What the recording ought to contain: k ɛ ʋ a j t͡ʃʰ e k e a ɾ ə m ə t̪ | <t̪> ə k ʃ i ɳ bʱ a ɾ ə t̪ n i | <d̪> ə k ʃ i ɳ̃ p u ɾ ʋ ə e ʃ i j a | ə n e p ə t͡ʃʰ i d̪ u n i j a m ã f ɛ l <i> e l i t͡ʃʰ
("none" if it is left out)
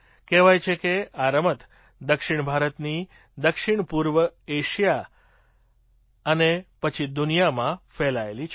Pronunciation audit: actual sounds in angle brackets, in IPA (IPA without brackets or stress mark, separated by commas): d̪, d̪, a